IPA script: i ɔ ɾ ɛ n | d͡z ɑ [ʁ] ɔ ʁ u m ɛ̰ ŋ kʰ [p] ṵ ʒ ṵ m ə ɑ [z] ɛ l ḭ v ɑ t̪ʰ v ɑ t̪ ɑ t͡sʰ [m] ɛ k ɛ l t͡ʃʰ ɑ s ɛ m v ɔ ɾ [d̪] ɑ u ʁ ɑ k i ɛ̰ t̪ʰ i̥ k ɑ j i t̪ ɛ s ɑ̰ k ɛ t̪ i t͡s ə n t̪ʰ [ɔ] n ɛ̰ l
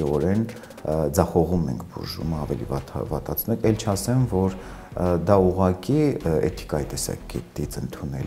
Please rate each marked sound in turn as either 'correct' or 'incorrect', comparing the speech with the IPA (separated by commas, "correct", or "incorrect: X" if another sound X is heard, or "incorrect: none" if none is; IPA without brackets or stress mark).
incorrect: χ, incorrect: b, incorrect: v, incorrect: n, correct, incorrect: u